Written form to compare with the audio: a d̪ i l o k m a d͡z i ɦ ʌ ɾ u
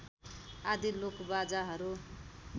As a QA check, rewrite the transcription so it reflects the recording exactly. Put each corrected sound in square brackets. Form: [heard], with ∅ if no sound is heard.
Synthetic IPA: a d̪ i l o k [b] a d͡z [a] ɦ ʌ ɾ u